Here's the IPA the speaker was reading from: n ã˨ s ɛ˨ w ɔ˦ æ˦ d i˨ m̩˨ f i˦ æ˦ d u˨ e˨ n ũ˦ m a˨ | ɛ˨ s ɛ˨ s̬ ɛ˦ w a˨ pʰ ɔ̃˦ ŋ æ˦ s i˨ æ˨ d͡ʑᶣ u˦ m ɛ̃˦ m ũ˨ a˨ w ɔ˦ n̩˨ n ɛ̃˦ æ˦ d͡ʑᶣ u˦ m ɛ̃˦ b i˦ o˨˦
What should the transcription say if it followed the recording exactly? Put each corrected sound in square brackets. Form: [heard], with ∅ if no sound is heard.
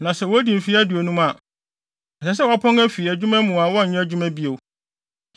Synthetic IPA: n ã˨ s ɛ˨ w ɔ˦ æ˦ d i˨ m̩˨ f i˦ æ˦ d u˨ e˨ n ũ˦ m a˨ | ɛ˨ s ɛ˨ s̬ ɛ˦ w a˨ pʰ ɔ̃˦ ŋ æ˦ [f] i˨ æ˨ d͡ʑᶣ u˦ m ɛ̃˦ m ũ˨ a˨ w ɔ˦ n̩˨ [ɲ] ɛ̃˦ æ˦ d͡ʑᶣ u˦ m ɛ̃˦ b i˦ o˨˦